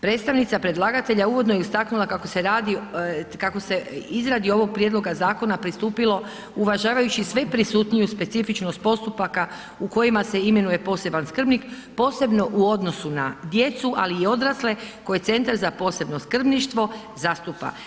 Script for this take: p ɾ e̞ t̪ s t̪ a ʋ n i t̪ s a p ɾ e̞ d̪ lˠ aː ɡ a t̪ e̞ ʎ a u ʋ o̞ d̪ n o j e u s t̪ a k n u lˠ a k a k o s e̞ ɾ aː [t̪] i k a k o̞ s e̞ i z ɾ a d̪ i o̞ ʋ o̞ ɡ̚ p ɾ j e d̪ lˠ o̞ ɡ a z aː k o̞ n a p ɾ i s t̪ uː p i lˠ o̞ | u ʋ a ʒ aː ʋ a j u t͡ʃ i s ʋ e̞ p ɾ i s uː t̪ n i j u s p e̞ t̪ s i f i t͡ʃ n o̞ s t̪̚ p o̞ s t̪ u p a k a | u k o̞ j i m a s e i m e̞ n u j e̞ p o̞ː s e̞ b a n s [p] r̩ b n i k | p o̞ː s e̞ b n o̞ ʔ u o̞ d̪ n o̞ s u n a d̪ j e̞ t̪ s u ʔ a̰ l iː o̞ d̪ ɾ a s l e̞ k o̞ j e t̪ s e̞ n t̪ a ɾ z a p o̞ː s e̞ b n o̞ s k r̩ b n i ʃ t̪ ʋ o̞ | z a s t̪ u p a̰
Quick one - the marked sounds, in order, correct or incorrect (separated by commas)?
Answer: incorrect, incorrect